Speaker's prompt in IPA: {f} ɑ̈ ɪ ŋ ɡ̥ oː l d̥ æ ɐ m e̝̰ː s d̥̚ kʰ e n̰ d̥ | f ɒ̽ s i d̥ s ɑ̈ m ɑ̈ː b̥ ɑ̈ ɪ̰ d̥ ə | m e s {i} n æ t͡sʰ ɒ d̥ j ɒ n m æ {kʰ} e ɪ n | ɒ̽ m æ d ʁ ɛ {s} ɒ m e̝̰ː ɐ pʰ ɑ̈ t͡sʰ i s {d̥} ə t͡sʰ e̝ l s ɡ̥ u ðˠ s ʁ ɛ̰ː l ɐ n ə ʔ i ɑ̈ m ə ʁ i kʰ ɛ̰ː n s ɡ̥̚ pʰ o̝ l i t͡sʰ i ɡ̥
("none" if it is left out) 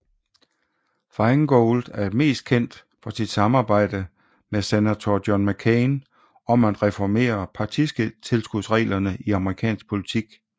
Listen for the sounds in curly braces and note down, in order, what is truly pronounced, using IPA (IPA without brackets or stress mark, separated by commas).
f, e, kʰ, f, ɡ̥